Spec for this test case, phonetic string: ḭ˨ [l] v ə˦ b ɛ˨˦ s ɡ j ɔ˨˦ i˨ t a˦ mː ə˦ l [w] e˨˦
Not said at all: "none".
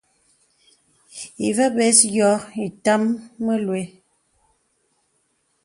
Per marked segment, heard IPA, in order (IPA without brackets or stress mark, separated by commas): none, w